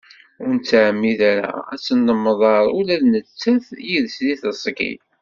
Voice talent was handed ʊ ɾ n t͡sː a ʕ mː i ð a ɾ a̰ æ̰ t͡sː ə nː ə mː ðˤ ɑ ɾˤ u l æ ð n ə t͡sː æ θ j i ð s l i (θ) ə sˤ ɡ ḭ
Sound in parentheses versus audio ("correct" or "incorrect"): correct